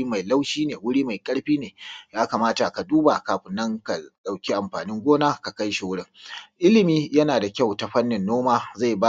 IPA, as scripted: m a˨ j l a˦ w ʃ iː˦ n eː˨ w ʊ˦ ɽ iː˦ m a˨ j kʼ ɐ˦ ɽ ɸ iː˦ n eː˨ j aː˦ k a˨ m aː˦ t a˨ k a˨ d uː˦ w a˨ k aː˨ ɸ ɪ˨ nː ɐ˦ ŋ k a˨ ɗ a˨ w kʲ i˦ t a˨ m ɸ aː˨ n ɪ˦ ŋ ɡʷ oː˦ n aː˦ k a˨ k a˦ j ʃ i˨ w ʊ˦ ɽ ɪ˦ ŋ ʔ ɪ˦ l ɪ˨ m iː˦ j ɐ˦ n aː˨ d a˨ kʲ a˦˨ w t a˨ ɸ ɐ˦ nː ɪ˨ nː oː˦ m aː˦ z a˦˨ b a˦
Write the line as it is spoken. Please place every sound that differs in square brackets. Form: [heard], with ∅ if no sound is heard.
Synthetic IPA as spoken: m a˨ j l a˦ w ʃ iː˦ n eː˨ w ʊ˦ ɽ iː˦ m a˨ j kʼ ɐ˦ ɽ ɸ iː˦ n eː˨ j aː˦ k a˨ m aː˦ t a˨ k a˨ d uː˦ [b] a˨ k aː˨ ɸ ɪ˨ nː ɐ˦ ŋ k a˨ ɗ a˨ w kʲ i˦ [ʔ] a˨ m ɸ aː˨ n ɪ˦ ŋ ɡʷ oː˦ n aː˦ k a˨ k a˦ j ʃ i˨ w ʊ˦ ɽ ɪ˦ ŋ ʔ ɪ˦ l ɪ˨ m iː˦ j ɐ˦ n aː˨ d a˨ kʲ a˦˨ w t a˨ ɸ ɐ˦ nː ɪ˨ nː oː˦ m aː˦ z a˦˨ b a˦

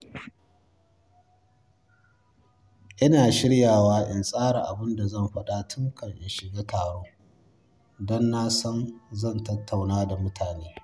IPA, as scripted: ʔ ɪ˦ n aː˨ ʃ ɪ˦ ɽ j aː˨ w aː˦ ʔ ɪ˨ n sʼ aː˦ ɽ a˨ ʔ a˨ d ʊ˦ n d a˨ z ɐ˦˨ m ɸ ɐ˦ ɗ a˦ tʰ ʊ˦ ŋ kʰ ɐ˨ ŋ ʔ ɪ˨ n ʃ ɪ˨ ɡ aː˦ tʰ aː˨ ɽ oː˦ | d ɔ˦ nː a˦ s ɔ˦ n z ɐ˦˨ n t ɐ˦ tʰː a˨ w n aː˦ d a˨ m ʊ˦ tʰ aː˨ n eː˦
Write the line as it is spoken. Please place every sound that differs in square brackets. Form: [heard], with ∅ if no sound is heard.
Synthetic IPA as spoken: ʔ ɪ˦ n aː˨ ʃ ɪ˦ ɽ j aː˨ w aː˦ ʔ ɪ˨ n sʼ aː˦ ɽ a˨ ʔ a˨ [b] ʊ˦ n d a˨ z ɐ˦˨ m ɸ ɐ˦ ɗ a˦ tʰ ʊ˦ ŋ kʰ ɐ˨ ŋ ʔ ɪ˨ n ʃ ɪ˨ ɡ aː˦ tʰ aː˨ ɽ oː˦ | d ɔ˦ nː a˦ s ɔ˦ n z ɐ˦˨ n t ɐ˦ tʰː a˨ w n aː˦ d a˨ m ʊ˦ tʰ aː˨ n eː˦

